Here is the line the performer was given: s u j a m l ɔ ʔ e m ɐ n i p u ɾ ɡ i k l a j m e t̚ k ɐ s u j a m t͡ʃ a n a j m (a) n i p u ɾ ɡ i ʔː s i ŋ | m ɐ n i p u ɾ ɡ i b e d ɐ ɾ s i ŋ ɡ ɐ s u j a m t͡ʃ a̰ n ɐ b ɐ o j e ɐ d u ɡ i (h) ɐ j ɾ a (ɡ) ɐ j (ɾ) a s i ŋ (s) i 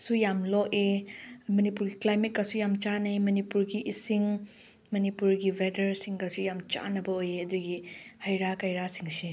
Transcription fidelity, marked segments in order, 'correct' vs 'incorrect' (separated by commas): incorrect, correct, incorrect, correct, correct